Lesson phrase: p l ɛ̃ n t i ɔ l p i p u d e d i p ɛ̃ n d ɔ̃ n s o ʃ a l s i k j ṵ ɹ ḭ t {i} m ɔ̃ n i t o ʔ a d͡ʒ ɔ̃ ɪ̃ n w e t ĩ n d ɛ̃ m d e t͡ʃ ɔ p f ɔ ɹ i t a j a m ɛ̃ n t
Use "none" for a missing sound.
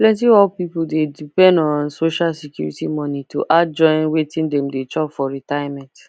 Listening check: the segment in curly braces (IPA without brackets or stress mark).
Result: i